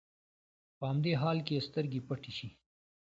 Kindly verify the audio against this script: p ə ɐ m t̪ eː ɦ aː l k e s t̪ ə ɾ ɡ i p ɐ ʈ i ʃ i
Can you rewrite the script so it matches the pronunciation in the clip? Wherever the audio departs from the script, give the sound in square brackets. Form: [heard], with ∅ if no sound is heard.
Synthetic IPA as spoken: p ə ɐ m [d̪] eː ɦ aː l k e s t̪ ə ɾ ɡ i p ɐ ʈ i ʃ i